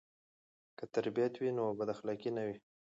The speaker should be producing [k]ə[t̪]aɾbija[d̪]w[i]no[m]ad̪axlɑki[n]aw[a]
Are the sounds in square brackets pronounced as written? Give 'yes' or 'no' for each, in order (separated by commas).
yes, yes, no, yes, no, yes, no